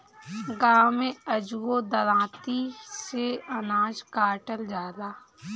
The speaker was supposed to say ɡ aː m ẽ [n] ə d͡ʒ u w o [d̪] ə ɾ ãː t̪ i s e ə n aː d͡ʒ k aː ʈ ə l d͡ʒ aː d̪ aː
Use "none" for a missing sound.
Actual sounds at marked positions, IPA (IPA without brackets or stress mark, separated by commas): none, d̪